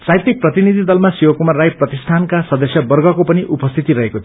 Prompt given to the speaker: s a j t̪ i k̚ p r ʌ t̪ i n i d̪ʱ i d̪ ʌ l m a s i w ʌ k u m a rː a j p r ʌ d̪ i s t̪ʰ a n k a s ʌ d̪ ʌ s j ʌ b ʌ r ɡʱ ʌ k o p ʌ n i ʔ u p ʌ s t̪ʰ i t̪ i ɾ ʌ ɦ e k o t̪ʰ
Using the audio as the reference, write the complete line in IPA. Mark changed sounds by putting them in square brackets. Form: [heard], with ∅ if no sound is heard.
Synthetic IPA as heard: s a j t̪ i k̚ p r ʌ t̪ i n i d̪ʱ i d̪ ʌ l m a s i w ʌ k u m a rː a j p r ʌ [t̪] i s t̪ʰ a n k a s ʌ d̪ ʌ s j ʌ b ʌ r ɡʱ ʌ k o p ʌ n i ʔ u p ʌ s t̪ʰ i t̪ i ɾ ʌ ɦ e k o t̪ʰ